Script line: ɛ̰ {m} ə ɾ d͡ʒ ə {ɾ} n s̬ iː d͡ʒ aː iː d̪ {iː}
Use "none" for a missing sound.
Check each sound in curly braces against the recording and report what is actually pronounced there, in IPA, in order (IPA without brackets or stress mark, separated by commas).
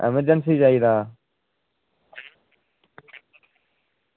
m, none, aː